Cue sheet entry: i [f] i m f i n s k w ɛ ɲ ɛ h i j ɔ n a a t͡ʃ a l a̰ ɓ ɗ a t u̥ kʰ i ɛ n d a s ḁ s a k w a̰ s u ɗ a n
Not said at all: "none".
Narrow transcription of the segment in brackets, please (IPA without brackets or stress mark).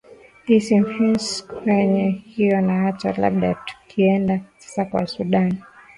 s